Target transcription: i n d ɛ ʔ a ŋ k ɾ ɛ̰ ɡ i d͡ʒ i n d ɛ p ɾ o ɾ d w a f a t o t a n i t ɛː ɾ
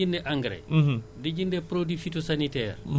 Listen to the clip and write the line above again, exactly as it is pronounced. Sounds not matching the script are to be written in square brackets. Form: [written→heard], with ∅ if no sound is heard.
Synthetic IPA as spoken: i n d ɛ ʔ a ŋ [k→ɡ] ɾ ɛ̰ [ɡ→d] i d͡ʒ i n d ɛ p ɾ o [ɾ→∅] d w [a→i] f [a→i] t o [t→s] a n i t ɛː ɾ